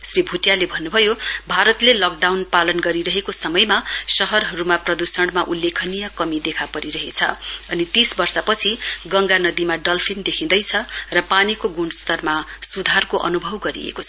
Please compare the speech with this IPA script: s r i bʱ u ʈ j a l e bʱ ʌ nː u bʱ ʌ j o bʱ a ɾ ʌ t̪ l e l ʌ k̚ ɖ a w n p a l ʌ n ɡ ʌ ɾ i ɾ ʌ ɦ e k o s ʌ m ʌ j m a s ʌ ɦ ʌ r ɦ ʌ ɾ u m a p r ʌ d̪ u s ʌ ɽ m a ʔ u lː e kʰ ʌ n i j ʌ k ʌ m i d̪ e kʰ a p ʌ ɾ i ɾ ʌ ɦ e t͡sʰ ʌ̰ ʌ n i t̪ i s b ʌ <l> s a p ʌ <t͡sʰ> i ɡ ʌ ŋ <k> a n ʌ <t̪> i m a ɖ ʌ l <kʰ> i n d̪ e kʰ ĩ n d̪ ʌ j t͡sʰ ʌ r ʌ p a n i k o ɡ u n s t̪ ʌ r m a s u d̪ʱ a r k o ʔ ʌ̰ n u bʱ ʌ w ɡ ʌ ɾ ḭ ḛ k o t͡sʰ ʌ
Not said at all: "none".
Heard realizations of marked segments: r, t͡sʰ, ɡ, d̪, pʰ

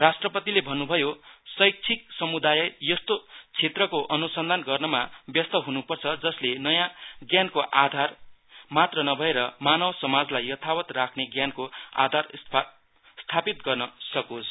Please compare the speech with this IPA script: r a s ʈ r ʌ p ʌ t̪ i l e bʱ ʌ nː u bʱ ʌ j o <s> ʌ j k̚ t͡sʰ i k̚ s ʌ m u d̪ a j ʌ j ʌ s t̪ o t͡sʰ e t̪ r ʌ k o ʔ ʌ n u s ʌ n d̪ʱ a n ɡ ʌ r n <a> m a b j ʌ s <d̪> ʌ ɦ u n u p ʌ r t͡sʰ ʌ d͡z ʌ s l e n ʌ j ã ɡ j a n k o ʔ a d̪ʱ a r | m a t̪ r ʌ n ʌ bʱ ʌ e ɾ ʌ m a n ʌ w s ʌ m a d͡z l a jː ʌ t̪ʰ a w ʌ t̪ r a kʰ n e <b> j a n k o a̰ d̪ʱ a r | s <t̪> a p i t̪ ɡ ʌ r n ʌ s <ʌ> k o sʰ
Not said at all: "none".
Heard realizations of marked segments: s, ʌ, t̪, ɡ, t̪ʰ, ʌ

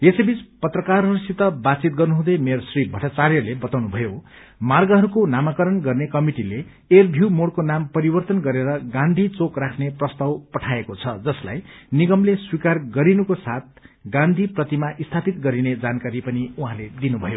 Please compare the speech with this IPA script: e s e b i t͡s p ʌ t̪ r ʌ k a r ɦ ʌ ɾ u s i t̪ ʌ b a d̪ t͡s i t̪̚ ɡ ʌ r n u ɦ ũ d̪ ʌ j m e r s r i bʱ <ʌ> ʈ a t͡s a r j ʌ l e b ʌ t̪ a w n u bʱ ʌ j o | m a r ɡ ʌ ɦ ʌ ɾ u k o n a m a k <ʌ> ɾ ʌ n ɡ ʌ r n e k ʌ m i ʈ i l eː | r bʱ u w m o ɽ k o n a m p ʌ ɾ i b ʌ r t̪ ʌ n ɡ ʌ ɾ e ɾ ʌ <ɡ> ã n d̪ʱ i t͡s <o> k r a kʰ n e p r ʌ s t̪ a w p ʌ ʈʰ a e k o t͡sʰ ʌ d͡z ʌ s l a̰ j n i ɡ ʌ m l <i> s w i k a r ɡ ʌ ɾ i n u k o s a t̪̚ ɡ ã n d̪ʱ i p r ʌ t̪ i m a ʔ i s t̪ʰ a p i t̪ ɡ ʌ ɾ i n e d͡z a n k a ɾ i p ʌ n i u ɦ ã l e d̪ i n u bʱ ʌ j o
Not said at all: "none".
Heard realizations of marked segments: ʌ, ʌ, ɡ, o, e

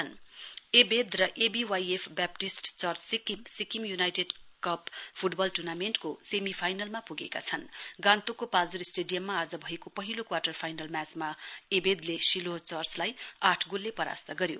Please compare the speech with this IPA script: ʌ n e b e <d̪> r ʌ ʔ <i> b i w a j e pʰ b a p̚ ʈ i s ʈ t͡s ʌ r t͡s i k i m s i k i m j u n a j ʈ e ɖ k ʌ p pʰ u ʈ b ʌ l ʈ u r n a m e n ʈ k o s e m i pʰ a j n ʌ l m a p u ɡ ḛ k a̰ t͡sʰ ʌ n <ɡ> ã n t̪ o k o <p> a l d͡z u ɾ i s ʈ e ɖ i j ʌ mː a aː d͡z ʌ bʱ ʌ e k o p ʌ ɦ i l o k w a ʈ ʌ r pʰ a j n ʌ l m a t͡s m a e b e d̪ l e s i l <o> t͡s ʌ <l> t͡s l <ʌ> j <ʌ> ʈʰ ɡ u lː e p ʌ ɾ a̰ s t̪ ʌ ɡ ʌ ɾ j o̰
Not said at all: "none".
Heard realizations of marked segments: d̪, e, ɡ, p, o, r, a, a

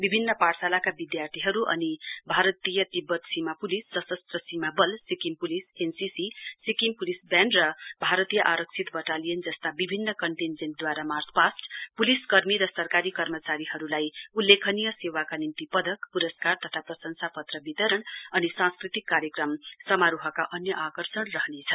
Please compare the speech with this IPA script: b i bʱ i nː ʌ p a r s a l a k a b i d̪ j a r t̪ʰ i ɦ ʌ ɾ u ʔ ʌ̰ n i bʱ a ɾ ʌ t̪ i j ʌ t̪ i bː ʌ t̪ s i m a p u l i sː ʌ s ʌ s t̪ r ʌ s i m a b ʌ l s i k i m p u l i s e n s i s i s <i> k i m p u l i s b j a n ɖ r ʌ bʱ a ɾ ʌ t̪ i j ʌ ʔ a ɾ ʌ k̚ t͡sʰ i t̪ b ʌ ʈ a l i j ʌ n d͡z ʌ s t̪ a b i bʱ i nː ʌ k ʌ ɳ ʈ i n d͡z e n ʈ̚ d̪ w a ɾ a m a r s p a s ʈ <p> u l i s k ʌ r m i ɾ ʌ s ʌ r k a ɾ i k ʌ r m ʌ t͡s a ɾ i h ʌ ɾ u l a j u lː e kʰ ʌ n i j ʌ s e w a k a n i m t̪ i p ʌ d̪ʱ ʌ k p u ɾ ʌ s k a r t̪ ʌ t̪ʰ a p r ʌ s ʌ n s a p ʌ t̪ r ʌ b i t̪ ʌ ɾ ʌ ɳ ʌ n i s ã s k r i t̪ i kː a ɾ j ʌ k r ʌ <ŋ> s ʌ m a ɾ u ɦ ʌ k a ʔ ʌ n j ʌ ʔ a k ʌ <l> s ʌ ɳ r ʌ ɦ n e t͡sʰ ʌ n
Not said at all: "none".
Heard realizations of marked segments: i, p, m, r

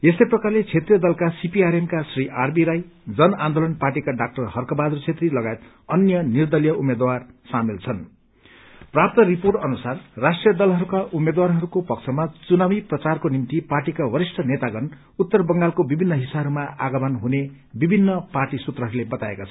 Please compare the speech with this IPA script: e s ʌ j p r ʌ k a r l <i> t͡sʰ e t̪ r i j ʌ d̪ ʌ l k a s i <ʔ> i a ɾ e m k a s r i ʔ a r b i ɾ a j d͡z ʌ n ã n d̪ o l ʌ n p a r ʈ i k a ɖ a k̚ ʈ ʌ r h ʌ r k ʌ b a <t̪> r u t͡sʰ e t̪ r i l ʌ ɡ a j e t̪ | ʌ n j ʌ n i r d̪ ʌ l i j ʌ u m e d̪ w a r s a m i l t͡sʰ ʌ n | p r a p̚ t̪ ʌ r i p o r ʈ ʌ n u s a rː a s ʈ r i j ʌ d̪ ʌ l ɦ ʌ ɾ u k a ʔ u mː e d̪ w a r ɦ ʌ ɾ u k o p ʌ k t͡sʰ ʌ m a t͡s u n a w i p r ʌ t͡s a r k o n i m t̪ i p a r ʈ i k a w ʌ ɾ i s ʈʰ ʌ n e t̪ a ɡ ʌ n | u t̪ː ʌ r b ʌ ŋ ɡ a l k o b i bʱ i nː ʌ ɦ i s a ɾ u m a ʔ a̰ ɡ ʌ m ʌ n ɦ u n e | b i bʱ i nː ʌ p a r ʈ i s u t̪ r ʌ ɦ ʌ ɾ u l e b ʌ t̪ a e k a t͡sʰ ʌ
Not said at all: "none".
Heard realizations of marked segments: e, p, d̪

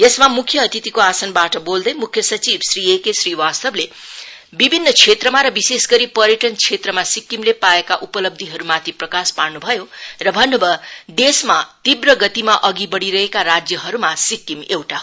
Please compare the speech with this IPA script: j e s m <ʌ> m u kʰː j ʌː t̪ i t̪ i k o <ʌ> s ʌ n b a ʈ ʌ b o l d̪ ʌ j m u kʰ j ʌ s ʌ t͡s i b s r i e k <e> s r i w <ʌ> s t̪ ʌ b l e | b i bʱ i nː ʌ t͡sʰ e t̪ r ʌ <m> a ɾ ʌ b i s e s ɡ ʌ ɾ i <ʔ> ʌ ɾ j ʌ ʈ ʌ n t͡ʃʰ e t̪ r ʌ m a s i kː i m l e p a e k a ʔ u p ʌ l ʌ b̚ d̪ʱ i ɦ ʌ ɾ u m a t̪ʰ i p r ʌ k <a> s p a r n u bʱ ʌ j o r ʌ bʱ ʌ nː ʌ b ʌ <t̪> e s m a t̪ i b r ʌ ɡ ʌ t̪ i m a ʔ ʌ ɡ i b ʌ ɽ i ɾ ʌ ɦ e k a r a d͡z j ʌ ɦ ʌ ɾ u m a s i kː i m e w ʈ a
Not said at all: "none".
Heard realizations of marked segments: a, a, e, a, m, p, a, d̪

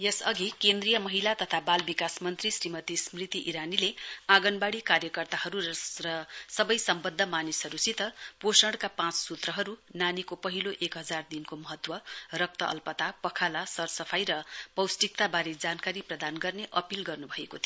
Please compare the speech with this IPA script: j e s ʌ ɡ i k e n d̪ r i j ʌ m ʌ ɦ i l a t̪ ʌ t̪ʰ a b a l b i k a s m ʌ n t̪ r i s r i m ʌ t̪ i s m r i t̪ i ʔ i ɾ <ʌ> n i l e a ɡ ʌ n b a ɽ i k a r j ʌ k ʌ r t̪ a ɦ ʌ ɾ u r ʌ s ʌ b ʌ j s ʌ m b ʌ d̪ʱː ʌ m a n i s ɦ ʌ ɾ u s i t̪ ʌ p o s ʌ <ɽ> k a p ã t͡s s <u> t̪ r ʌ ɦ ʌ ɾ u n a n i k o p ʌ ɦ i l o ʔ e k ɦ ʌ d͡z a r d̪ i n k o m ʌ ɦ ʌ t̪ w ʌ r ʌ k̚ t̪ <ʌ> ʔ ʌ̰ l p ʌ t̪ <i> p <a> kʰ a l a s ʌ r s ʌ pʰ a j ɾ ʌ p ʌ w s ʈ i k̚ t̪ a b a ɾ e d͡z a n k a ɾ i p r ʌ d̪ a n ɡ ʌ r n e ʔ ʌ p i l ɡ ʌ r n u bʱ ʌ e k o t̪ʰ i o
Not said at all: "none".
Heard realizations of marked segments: a, ɽ, u, ʌ, a, ʌ

